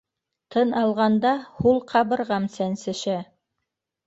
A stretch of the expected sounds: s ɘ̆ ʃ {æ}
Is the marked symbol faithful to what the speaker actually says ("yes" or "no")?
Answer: yes